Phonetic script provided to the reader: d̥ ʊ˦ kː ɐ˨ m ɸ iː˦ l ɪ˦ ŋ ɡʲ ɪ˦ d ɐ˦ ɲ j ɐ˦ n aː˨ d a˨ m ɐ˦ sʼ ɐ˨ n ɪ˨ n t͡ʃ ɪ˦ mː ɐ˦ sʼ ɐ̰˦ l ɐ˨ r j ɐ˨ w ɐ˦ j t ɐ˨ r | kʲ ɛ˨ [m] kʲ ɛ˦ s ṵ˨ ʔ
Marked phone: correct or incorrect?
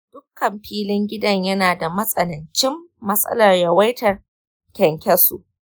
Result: incorrect